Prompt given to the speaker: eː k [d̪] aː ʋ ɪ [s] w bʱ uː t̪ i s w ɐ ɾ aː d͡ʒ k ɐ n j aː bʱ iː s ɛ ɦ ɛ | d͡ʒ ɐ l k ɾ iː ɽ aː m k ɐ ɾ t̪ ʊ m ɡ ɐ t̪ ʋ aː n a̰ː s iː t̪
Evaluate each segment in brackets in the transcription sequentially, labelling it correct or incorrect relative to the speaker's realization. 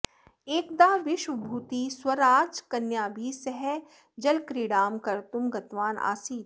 correct, incorrect: ʃ

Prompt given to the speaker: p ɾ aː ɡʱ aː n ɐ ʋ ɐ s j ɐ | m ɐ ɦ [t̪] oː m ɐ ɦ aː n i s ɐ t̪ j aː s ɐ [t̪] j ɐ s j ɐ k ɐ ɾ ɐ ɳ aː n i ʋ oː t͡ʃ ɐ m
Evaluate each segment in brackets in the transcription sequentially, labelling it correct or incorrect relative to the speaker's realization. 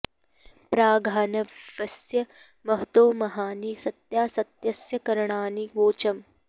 correct, correct

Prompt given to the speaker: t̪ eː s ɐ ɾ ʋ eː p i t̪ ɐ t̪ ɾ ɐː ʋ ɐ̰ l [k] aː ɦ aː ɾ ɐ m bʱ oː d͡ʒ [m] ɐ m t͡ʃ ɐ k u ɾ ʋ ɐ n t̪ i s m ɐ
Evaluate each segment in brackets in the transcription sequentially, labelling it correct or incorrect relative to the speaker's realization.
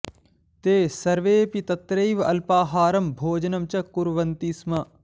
incorrect: p, incorrect: n

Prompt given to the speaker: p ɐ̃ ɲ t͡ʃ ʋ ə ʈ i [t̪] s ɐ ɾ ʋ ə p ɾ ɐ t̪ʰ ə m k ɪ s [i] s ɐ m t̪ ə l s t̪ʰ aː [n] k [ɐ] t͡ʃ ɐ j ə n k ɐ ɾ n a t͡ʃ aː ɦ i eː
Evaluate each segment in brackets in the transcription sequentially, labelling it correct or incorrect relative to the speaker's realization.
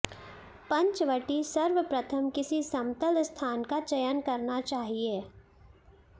incorrect: none, correct, correct, incorrect: a

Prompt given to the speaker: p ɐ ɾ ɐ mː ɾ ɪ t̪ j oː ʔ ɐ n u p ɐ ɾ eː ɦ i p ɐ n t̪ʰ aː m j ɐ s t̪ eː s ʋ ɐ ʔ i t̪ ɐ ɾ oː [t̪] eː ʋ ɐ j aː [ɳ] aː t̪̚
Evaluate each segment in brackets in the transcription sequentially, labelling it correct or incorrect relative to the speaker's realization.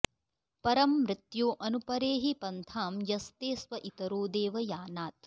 incorrect: d̪, incorrect: n

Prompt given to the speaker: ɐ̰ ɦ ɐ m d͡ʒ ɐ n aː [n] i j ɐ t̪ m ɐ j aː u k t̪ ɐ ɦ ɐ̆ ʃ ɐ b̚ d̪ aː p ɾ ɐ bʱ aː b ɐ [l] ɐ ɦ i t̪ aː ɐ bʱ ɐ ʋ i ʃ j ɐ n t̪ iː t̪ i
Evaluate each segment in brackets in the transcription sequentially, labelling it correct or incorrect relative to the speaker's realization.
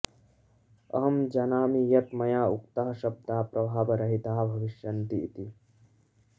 incorrect: m, incorrect: ɾ

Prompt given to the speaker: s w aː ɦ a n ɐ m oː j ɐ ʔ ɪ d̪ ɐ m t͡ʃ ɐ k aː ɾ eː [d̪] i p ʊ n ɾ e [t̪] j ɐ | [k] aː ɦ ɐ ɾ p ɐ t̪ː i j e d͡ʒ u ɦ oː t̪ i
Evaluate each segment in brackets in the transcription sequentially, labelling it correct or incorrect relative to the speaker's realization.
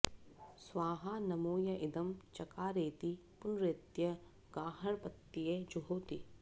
incorrect: t̪, correct, incorrect: ɡ

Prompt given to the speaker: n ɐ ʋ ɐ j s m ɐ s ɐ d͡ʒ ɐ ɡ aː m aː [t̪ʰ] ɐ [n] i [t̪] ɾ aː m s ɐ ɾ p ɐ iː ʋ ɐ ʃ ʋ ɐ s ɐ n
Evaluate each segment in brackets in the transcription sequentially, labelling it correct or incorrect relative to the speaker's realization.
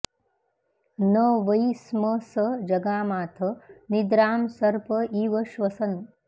correct, correct, incorrect: d̪

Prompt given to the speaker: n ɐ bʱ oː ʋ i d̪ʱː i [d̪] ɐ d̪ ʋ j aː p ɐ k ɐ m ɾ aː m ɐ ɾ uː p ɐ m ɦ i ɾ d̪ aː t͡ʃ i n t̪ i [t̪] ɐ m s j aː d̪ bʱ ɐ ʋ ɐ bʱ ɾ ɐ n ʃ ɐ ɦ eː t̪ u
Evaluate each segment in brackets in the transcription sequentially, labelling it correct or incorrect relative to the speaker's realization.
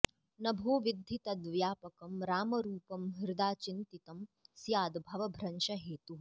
incorrect: t̪, correct

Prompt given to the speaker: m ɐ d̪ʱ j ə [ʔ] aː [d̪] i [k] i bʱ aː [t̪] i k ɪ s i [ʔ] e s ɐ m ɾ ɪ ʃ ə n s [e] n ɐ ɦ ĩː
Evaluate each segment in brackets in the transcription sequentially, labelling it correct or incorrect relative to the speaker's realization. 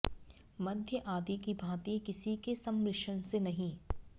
correct, correct, correct, correct, incorrect: k, correct

